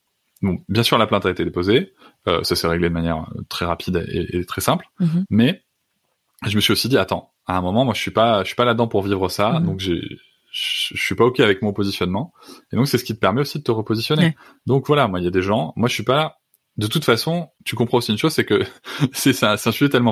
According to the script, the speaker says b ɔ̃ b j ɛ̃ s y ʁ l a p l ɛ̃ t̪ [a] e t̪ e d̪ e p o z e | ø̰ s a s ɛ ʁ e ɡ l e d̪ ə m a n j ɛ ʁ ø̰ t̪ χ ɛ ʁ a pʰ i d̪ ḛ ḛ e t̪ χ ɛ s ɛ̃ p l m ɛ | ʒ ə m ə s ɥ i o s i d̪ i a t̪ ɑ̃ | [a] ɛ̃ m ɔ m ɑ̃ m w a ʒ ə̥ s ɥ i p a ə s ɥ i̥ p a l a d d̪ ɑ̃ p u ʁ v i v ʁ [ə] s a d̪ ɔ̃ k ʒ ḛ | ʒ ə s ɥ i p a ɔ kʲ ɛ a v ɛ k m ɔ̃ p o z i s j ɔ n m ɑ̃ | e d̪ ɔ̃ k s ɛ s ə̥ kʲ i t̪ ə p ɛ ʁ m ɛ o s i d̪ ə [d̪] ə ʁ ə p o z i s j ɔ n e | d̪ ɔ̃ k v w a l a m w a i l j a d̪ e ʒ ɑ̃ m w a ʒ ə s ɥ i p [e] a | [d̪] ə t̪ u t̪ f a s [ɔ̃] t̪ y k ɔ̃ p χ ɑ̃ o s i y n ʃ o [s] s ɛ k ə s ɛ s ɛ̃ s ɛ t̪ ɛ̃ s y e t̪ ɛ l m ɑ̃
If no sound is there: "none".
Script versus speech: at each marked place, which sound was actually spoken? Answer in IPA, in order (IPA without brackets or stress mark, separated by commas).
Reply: a, a, ə, t̪, a, d̪, ɔ̃, z